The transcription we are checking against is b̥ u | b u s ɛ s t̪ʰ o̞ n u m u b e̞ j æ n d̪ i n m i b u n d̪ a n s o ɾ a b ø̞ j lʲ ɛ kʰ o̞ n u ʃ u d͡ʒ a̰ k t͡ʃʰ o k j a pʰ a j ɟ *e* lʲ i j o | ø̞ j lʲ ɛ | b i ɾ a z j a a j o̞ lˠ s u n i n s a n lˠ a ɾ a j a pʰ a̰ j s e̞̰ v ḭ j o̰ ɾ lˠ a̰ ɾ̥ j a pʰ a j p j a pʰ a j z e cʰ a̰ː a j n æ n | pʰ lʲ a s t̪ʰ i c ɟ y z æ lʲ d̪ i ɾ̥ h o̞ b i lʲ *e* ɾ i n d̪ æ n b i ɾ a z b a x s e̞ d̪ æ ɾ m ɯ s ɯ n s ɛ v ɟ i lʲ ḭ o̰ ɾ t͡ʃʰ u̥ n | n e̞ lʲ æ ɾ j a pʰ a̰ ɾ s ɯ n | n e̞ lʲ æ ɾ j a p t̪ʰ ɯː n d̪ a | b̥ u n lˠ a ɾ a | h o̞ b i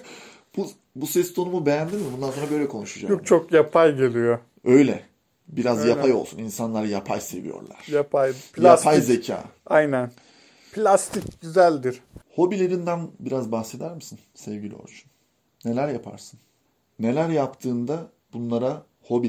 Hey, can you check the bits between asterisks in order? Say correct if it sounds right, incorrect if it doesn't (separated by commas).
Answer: correct, correct